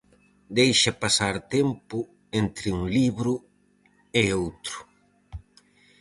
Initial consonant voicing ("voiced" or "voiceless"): voiced